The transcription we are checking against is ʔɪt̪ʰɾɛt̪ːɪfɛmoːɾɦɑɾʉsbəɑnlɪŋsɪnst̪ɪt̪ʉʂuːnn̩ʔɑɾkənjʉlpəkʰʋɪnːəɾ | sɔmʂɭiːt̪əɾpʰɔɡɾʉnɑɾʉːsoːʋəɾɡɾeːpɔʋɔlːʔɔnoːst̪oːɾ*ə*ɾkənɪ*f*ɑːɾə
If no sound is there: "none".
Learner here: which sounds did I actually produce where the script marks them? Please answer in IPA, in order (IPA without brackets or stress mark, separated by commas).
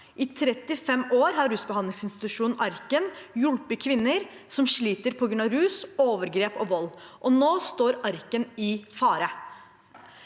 ɑ, f